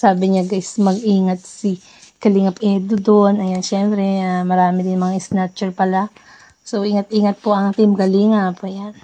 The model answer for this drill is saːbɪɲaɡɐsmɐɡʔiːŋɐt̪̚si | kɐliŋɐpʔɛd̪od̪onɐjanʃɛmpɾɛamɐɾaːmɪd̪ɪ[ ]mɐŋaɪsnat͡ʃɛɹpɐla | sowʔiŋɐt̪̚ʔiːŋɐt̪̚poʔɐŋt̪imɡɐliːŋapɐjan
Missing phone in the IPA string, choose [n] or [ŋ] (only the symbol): n